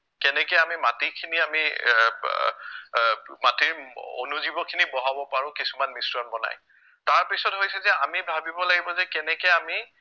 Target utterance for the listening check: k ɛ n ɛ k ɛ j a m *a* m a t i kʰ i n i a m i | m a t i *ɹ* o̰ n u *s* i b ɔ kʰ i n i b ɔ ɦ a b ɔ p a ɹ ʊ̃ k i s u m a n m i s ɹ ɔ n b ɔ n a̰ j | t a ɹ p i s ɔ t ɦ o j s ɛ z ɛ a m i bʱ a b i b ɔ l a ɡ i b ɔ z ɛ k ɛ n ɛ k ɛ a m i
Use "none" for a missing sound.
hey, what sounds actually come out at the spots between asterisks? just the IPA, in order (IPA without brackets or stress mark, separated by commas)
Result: i, ɹ, z